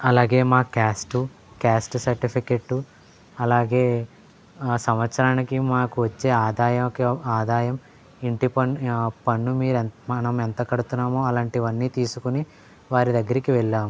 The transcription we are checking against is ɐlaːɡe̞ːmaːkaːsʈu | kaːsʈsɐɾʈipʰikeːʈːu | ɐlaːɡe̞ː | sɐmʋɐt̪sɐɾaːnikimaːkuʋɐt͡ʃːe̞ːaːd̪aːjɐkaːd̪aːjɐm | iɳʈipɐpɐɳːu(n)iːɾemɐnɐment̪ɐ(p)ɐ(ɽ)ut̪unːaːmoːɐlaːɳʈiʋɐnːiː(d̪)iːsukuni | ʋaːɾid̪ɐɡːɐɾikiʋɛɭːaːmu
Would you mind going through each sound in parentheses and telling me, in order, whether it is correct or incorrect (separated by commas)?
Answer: incorrect, incorrect, correct, incorrect